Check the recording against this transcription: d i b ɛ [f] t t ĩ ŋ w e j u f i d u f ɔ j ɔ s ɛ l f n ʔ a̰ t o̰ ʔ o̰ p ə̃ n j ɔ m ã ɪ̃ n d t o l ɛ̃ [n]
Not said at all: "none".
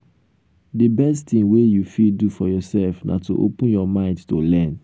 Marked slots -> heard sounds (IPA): s, n

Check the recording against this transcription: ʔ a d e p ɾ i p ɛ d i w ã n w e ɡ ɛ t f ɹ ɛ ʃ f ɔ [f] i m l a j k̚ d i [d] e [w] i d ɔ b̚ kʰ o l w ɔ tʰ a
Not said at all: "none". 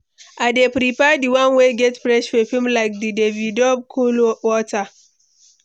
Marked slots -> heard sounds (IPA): f, d, v

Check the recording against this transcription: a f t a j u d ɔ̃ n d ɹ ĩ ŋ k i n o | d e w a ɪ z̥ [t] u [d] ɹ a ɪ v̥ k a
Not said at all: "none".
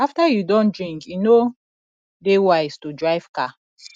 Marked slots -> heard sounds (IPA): t, d

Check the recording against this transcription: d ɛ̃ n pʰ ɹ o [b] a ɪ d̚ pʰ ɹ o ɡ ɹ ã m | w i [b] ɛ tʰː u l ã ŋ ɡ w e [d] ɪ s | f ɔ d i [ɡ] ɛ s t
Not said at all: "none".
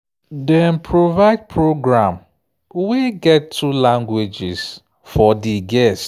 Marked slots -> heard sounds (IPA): v, ɡ, d͡ʒ, ɡ

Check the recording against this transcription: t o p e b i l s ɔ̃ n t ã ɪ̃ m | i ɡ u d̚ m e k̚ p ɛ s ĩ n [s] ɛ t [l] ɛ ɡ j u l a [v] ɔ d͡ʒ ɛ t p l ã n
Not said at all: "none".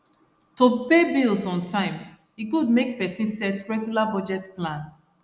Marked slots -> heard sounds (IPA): s, ɹ, b

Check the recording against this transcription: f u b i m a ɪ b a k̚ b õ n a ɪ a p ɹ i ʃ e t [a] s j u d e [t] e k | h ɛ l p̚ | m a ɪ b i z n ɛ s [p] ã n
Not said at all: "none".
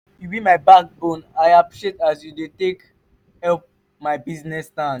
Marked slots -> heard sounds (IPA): a, t, t

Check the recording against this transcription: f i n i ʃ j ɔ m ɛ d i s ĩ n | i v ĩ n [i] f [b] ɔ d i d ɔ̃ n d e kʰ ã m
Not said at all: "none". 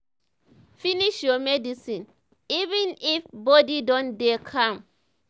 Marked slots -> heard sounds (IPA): i, b

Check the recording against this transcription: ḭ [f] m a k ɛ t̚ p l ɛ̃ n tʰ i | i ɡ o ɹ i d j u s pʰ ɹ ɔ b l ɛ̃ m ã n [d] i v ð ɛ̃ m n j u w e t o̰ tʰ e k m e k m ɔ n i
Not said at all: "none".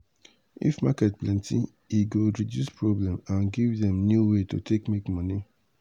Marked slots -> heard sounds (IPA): f, ɡ

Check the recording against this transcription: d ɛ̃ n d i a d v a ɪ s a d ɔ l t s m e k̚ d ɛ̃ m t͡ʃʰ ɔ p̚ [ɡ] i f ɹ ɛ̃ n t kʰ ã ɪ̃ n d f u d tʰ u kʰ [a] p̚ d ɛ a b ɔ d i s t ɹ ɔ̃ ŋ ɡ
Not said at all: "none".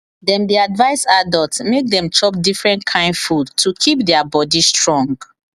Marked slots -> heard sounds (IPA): d, i

